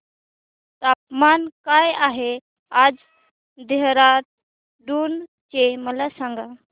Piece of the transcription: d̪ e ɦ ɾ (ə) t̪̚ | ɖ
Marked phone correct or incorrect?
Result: incorrect